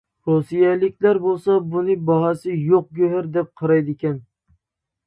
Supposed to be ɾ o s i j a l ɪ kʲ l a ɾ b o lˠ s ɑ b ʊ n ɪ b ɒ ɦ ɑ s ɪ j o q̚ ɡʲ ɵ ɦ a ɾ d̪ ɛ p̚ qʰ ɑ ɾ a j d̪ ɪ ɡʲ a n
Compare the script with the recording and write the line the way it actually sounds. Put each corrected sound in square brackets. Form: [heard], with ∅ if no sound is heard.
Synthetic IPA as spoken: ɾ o s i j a l ɪ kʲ l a ɾ b o lˠ s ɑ b ʊ n ɪ b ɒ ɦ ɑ s ɪ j o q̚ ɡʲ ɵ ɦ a ɾ d̪ ɛ p̚ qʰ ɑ ɾ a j d̪ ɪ [kʲ] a n